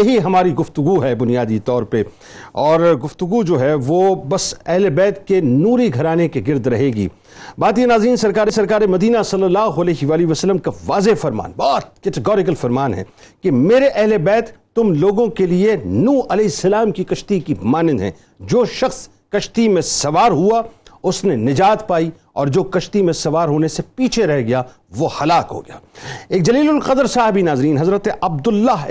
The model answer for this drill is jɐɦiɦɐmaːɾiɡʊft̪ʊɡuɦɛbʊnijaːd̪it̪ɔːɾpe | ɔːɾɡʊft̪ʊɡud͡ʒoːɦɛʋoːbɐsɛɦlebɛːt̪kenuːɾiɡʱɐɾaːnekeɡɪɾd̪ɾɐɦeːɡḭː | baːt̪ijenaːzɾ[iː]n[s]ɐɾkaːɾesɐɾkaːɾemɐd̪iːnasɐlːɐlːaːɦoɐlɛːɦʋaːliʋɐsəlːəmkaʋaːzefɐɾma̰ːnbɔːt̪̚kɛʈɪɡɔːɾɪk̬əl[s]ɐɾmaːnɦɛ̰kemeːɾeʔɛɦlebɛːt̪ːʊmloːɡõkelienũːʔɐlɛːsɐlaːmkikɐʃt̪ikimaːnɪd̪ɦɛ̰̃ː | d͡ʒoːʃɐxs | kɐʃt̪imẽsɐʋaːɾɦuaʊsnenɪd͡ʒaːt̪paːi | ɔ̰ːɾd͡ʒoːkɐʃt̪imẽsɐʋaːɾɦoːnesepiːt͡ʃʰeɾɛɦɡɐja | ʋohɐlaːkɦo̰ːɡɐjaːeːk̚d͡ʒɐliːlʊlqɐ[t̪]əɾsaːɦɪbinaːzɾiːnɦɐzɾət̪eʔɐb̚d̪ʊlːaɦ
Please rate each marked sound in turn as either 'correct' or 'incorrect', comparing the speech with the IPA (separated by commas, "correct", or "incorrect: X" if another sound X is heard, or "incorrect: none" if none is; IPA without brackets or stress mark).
correct, correct, incorrect: f, incorrect: d̪